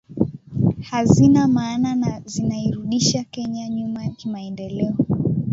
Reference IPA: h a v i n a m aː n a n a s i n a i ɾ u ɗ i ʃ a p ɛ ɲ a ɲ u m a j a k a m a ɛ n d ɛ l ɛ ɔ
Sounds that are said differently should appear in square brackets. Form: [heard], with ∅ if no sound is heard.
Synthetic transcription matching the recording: h a [z] i n a m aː n a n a [z] i n a i ɾ u ɗ i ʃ a [k] ɛ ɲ a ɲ u m a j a k [i] m a ɛ n d ɛ l ɛ ɔ